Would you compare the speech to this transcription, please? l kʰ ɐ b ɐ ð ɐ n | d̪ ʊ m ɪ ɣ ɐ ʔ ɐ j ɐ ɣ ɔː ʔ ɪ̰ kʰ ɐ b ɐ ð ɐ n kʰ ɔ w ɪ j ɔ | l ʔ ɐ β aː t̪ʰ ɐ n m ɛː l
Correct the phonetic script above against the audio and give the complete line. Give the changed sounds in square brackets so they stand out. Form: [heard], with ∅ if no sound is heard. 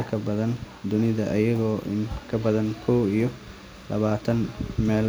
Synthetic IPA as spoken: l kʰ ɐ b ɐ ð ɐ n | d̪ ʊ [n] ɪ [ð] ɐ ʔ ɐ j ɐ ɣ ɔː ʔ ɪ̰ kʰ ɐ b ɐ ð ɐ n kʰ ɔ w [i] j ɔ | l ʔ ɐ β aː t̪ʰ ɐ n m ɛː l